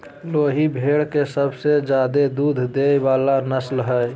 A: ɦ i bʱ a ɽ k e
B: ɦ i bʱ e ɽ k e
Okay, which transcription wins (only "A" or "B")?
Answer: B